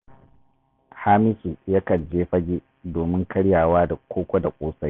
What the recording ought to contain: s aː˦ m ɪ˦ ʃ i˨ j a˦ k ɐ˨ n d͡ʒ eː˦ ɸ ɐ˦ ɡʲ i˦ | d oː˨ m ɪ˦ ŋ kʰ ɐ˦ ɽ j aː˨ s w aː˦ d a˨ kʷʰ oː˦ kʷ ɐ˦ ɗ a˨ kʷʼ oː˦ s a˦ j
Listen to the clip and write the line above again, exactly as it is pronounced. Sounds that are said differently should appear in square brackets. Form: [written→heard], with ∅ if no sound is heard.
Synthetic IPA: [s→h] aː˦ m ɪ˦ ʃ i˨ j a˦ k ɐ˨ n d͡ʒ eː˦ ɸ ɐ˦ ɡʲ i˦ | d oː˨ m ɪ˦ ŋ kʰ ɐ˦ ɽ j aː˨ [s→∅] w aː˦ d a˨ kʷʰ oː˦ kʷ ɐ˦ [ɗ→d] a˨ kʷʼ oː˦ s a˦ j

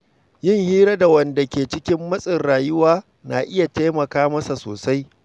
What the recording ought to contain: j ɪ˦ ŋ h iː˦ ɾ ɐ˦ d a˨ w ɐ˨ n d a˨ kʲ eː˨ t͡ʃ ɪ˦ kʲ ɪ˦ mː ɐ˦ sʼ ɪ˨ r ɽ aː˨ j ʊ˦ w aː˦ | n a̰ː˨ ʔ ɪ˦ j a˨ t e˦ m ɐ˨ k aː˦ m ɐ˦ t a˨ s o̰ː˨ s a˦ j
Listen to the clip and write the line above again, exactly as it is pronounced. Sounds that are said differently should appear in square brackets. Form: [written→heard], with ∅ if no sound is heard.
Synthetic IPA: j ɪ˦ ŋ h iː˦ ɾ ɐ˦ d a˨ w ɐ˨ n d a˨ kʲ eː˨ t͡ʃ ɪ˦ kʲ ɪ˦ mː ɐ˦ sʼ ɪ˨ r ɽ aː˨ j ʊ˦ w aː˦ | n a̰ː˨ ʔ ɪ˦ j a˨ t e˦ m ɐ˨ k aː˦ m ɐ˦ [t→s] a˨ s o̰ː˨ s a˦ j

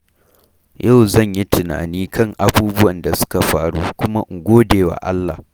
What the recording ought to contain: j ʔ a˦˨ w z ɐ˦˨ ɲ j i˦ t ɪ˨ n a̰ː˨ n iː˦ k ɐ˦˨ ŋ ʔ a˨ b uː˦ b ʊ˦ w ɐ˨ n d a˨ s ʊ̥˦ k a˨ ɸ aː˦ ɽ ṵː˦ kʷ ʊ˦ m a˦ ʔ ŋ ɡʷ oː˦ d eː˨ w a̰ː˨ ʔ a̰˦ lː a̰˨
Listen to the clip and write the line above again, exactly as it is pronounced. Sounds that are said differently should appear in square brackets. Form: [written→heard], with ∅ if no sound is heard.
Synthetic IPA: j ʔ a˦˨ w z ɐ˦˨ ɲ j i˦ t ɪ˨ n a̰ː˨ n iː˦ k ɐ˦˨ ŋ ʔ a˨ b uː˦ b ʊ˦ w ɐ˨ n d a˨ s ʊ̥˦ k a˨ ɸ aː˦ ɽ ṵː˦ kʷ ʊ˦ m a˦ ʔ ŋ ɡʷ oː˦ d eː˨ w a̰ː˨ ʔ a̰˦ lː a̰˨

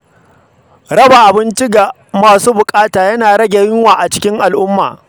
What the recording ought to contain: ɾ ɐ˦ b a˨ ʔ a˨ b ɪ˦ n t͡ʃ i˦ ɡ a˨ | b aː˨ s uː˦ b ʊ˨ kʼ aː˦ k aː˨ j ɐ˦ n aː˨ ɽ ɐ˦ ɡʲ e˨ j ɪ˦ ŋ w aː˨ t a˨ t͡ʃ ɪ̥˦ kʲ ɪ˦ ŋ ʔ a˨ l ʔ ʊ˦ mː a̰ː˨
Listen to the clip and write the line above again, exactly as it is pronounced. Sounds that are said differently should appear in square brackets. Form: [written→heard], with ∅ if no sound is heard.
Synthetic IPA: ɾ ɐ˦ b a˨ ʔ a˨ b ɪ˦ n t͡ʃ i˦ ɡ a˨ | [b→m] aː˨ s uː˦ b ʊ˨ kʼ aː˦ [k→t] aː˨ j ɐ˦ n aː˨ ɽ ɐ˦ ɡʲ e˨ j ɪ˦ ŋ w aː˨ [t→ʔ] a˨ t͡ʃ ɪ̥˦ kʲ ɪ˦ ŋ ʔ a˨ l ʔ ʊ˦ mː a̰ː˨

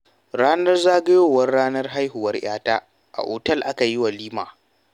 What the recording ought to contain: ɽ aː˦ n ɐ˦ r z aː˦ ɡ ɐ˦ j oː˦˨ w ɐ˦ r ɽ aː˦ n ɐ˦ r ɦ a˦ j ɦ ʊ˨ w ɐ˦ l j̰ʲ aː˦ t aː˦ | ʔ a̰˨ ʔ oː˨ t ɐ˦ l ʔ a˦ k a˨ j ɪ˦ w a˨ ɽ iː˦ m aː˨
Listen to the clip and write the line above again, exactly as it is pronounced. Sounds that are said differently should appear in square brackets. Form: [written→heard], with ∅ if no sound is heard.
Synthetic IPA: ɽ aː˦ n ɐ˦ r z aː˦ ɡ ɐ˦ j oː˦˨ w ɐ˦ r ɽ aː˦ n ɐ˦ r ɦ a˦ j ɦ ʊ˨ w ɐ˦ [l→r] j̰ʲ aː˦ t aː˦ | ʔ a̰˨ ʔ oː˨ t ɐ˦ l ʔ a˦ k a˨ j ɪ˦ w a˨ [ɽ→l] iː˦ m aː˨

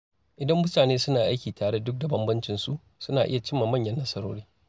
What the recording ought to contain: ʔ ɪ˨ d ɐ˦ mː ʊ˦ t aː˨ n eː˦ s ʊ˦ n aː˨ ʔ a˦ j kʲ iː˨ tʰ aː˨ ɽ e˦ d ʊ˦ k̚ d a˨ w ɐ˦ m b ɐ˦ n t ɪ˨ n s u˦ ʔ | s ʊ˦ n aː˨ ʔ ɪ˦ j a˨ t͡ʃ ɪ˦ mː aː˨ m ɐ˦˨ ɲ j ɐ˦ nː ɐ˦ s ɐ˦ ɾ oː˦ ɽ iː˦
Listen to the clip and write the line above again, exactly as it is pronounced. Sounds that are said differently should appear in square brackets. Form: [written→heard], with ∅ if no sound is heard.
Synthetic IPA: ʔ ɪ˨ d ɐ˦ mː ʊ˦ t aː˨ n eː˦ s ʊ˦ n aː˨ ʔ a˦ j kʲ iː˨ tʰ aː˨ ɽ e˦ d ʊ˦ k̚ d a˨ [w→b] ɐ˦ m b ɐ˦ n [t→t͡ʃ] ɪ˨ n s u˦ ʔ | s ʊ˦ n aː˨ ʔ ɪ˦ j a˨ t͡ʃ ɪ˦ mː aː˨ m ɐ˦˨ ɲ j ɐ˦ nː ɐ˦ s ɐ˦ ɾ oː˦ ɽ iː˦

